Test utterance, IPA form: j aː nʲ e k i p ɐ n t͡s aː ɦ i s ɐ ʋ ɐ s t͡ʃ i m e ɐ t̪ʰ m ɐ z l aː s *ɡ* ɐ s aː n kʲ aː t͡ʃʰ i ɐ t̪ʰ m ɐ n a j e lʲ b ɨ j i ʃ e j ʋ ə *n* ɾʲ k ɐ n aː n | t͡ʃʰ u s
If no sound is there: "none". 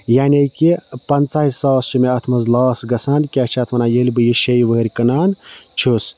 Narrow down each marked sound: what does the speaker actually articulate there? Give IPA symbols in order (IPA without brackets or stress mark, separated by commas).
ɡ, none